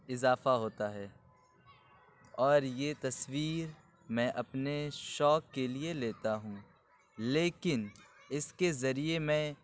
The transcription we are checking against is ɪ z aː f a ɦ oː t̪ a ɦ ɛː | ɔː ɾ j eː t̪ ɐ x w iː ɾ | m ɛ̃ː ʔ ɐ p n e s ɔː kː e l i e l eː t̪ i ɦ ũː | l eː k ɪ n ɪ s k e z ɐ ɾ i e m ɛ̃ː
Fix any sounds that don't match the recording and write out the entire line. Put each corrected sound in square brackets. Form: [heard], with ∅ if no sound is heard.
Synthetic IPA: ɪ z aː f a ɦ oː t̪ a ɦ ɛː | ɔː ɾ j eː t̪ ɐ [s] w iː ɾ | m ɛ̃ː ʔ ɐ p n e [ʃ] ɔː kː e l i e l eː t̪ [a] ɦ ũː | l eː k ɪ n ɪ s k e z ɐ ɾ i e m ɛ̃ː